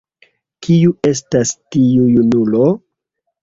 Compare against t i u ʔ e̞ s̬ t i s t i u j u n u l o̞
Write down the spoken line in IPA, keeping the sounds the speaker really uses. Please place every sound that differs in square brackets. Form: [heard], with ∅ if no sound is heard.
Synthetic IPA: [k] i u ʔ e̞ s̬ t [a] s t i u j u n u l o̞